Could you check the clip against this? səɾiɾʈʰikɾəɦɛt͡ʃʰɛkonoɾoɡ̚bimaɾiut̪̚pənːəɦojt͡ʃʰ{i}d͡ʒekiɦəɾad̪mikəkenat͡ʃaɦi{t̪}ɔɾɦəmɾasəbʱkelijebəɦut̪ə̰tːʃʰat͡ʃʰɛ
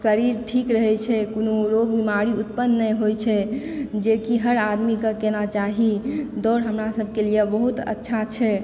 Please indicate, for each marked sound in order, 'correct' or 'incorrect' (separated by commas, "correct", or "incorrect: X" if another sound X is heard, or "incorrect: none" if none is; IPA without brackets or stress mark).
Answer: incorrect: ɛ, incorrect: d̪